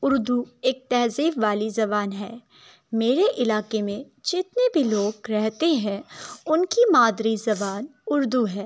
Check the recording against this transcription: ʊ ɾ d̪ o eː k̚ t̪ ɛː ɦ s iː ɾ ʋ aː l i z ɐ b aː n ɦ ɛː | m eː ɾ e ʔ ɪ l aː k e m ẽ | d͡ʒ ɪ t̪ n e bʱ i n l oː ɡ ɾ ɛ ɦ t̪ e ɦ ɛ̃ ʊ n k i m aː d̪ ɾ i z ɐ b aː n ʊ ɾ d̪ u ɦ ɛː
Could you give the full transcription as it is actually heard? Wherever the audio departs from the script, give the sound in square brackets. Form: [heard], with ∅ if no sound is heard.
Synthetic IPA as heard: ʊ ɾ d̪ [u] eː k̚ t̪ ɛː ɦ [z] iː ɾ ʋ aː l i z ɐ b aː n ɦ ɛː | m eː ɾ e ʔ ɪ l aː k e m ẽ | d͡ʒ ɪ t̪ n e bʱ i [∅] l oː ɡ ɾ ɛ ɦ t̪ e ɦ ɛ̃ ʊ n k i m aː d̪ ɾ i z ɐ b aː n ʊ ɾ d̪ u ɦ ɛː